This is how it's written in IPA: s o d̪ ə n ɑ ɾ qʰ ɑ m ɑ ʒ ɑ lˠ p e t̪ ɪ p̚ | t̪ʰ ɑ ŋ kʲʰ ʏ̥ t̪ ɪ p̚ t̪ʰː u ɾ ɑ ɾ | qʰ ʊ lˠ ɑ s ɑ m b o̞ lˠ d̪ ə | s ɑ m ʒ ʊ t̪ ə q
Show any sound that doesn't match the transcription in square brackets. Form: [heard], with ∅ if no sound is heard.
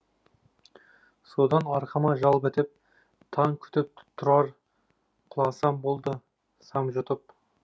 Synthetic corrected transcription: s o d̪ [ɑ] n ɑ ɾ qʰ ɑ m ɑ ʒ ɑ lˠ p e t̪ ɪ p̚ | t̪ʰ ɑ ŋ kʲʰ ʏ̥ t̪ ɪ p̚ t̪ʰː [ʊ] ɾ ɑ ɾ | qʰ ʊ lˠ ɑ s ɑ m b o̞ lˠ d̪ ə | s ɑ m ʒ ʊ t̪ ə [p]